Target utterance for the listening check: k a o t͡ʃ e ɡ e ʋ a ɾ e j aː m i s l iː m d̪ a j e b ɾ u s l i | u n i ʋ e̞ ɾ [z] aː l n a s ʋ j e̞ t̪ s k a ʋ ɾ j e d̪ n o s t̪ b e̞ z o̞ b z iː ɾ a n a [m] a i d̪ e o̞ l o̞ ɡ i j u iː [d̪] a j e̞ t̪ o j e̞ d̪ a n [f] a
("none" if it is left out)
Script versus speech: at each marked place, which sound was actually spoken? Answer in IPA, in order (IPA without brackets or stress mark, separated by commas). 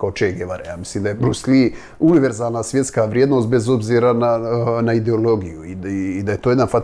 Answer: z, n, d̪, f